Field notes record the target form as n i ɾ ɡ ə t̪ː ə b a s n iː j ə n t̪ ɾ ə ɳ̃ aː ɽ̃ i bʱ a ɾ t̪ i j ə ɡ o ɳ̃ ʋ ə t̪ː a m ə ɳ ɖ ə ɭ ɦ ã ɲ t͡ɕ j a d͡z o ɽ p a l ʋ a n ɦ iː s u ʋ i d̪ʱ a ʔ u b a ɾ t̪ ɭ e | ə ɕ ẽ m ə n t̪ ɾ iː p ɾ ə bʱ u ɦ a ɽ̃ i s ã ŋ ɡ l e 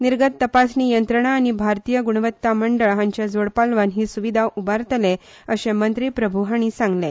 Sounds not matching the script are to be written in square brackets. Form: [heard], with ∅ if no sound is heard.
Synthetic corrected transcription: n i ɾ ɡ ə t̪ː ə [p] a s n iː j ə n t̪ ɾ ə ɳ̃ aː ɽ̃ i bʱ a ɾ t̪ i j ə ɡ [u] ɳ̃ ʋ ə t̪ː a m ə ɳ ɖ ə ɭ ɦ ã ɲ t͡ɕ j a d͡z o ɽ p a l ʋ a n ɦ iː s u ʋ i d̪ʱ a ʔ u b a ɾ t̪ [l] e | ə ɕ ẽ m ə n t̪ ɾ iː p ɾ ə bʱ u ɦ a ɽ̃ i s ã ŋ ɡ l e